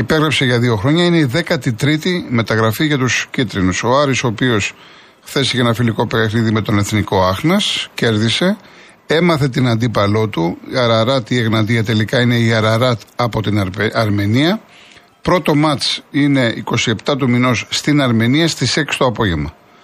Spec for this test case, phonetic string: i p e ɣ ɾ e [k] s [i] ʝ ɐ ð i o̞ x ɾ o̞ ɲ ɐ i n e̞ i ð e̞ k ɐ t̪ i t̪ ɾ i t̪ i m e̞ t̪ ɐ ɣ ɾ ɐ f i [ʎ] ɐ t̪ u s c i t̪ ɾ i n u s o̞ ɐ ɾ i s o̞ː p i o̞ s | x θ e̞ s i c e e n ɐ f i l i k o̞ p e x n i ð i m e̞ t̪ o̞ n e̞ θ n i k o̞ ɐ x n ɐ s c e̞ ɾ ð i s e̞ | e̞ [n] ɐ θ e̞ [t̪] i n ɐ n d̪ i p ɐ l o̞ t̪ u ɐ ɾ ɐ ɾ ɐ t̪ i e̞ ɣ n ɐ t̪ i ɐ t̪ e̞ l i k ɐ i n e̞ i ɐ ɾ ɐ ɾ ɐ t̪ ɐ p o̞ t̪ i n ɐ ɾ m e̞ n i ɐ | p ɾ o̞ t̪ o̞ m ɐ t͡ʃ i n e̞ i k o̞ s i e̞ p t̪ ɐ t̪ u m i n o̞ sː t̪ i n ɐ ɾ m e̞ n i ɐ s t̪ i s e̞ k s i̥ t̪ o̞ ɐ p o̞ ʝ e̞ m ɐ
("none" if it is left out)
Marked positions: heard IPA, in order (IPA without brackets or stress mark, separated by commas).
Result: p, e, ʝ, m, t̪